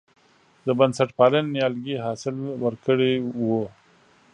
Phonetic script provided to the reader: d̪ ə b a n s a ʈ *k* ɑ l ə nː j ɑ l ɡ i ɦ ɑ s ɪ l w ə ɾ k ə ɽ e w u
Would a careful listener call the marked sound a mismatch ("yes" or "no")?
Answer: yes